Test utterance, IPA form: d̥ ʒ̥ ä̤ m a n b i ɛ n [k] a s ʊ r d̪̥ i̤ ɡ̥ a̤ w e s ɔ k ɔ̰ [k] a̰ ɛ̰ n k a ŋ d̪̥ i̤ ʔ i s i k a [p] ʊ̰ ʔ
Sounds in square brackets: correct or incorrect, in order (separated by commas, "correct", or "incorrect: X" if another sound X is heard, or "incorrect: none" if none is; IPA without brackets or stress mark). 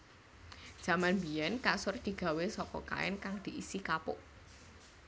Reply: correct, correct, correct